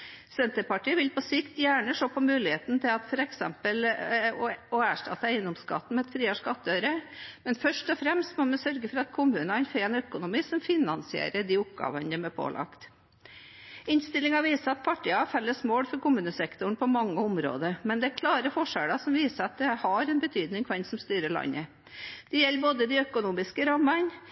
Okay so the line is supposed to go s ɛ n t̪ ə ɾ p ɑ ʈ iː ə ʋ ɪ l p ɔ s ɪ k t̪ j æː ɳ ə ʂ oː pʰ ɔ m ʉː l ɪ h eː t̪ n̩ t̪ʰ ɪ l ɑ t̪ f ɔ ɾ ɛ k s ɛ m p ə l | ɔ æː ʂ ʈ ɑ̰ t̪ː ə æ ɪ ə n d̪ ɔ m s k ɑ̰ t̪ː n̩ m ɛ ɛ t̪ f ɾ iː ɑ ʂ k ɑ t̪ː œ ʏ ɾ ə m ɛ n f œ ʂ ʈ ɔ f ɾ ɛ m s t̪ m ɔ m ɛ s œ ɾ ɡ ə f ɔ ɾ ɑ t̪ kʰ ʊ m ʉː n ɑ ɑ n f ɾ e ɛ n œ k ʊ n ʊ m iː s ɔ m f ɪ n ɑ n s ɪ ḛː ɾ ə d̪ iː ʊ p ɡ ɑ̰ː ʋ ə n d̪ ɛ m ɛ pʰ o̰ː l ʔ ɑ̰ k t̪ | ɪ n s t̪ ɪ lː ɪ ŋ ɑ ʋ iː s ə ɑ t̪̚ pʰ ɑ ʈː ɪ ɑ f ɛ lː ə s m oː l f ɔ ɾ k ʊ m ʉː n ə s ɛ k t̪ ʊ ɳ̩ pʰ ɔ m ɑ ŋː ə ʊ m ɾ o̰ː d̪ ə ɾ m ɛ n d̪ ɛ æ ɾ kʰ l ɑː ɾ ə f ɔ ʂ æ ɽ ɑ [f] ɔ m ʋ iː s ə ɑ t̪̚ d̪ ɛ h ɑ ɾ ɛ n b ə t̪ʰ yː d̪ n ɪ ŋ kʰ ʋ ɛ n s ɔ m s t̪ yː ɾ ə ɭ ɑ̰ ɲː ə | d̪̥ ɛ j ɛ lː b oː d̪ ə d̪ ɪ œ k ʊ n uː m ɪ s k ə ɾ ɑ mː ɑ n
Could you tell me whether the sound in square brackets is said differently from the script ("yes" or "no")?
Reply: yes